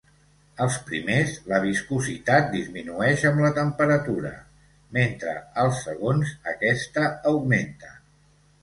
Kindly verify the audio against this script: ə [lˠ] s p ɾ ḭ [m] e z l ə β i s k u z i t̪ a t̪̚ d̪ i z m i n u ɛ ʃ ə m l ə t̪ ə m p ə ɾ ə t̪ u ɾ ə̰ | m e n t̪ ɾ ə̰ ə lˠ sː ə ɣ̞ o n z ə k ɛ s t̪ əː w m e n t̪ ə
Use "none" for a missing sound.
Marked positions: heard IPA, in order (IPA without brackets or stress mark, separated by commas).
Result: lˠ, m